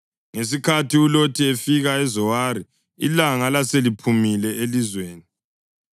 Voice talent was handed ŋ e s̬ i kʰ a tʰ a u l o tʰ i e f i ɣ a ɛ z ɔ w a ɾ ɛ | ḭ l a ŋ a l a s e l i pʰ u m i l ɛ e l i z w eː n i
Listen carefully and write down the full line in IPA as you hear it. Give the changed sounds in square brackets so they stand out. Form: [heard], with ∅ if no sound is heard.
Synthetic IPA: ŋ e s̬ i kʰ a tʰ [i] u l o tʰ i e f i ɣ a ɛ z ɔ w a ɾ [i] | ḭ l a ŋ a l a s e l i pʰ u m i l ɛ e l i z w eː n i